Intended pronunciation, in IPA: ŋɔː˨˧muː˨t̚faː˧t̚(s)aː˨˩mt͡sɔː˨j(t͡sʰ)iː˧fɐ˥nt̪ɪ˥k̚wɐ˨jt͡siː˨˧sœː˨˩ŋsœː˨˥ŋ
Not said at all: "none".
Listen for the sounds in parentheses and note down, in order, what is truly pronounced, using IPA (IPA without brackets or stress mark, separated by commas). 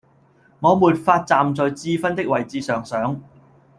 t͡s, t͡s